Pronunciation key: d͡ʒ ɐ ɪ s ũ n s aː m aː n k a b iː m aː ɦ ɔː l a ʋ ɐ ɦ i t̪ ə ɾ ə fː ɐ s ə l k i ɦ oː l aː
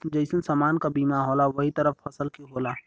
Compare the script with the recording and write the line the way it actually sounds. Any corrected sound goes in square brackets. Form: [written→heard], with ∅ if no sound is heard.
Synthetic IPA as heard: d͡ʒ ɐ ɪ s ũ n s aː m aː n k a b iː m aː ɦ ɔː l a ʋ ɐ ɦ i t̪ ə ɾ ə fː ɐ s ə l k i ɦ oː l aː